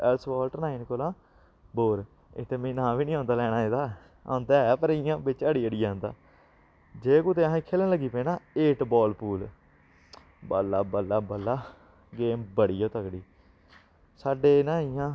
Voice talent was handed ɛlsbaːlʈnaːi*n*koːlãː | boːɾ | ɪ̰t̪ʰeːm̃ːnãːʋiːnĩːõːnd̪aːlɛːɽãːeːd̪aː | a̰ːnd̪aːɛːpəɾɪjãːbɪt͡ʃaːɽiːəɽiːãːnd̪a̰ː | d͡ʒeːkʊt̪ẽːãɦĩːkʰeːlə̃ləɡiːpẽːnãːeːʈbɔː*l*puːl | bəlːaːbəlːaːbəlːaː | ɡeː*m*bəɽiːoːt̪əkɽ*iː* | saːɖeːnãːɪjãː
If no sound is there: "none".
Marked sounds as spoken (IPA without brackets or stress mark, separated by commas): n, l, m, iː